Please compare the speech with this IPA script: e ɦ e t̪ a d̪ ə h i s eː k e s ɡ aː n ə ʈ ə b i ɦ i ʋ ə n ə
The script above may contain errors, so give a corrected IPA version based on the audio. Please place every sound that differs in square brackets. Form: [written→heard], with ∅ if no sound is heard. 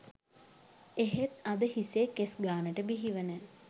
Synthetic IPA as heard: e ɦ e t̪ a d̪ ə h i s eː k e s ɡ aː n ə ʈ ə b i ɦ i ʋ ə n ə